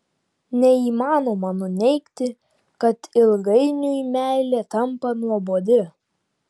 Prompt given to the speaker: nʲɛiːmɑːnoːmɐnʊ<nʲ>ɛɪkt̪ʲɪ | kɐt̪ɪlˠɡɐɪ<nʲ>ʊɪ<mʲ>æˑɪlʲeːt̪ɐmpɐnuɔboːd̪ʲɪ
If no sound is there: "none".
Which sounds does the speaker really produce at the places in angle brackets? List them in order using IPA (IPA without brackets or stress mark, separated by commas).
nʲ, nʲ, mʲ